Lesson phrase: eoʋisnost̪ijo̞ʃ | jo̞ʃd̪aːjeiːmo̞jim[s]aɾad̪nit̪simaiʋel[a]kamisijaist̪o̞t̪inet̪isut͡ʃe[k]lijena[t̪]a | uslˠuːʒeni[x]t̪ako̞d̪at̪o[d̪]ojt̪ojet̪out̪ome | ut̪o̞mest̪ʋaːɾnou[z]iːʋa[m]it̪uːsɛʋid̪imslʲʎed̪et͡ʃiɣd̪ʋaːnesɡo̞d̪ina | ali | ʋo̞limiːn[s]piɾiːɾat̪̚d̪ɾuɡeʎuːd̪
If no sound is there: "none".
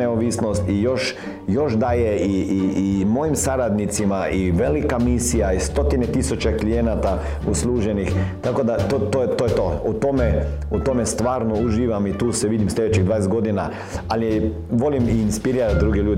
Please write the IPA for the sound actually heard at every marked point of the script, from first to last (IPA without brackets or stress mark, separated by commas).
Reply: s, i, k, t̪, x, t̪, ʒ, m, s